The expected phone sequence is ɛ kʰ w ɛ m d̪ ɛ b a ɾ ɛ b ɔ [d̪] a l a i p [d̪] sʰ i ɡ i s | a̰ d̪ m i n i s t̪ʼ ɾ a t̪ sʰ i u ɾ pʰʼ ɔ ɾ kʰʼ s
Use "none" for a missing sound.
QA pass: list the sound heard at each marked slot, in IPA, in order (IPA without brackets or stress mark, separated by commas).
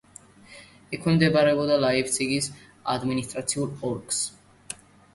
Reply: d̪, t̪